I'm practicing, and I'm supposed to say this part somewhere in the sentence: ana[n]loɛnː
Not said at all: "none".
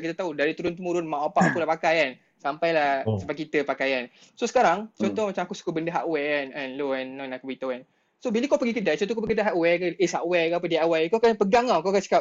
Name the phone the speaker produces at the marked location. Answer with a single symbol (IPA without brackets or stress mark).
n